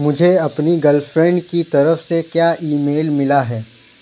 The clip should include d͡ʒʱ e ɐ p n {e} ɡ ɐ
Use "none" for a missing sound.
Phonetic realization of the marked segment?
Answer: i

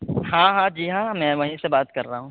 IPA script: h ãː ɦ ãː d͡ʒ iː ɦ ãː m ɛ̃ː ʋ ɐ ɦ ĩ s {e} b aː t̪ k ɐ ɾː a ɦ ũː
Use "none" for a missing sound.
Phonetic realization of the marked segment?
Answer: e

